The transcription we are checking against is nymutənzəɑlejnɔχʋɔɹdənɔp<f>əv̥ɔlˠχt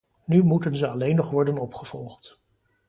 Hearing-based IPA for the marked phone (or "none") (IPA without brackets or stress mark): χ